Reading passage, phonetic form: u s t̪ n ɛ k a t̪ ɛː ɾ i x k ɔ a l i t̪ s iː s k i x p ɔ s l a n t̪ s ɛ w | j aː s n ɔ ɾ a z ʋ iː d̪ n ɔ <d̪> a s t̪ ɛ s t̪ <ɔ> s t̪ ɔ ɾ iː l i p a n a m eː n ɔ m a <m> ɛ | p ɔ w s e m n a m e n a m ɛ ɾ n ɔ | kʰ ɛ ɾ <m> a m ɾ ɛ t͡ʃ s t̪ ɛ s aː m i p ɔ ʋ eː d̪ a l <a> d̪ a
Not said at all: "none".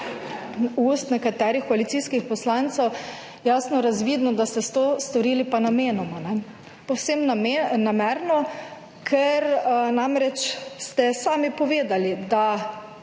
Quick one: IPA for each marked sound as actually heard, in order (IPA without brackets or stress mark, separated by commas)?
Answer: d̪, o, n, n, i